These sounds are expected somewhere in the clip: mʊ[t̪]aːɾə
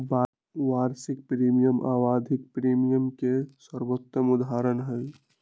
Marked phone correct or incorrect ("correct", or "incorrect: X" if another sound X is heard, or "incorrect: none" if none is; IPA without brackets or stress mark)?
incorrect: d̪